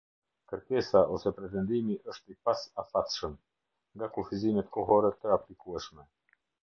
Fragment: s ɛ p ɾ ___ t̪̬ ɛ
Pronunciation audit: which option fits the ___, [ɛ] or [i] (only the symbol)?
ɛ